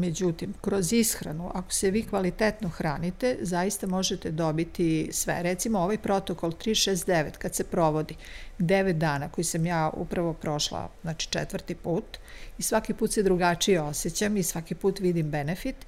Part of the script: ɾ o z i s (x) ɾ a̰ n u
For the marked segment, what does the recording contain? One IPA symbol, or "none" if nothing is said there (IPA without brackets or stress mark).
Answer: x